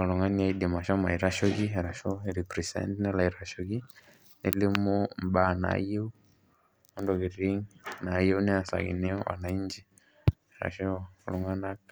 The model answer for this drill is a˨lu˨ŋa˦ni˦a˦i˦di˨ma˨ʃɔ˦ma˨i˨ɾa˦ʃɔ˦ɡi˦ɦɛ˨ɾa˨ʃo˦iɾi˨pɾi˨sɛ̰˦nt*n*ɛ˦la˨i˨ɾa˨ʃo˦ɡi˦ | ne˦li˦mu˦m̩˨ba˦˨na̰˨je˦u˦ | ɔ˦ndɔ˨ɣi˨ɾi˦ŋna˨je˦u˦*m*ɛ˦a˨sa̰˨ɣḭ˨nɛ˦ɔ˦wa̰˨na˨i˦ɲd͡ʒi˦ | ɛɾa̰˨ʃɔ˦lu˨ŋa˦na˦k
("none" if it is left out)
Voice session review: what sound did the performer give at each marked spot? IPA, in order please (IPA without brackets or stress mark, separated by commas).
n, n